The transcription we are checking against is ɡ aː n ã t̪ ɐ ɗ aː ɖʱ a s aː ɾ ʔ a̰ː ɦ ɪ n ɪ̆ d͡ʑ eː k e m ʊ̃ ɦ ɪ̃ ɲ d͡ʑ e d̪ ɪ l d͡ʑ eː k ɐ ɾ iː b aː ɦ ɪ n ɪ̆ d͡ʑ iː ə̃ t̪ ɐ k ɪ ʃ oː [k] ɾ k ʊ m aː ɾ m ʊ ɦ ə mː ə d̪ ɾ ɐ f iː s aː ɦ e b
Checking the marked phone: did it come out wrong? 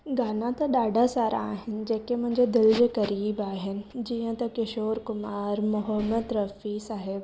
yes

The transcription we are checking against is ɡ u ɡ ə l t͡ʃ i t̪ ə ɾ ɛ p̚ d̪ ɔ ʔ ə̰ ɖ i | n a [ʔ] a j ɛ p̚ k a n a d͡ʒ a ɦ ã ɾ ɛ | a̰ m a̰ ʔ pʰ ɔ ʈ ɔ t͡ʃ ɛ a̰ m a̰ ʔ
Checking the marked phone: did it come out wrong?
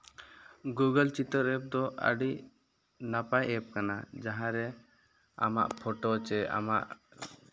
yes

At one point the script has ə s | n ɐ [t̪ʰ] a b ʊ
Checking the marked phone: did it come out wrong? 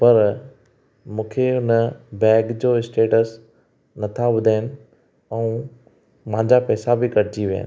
no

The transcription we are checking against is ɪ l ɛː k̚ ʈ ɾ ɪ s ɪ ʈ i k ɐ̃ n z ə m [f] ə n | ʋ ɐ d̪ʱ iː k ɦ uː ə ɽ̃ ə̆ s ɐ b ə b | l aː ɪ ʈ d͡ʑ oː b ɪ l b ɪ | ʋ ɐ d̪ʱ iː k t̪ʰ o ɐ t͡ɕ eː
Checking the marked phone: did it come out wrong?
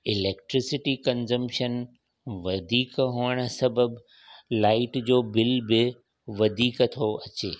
yes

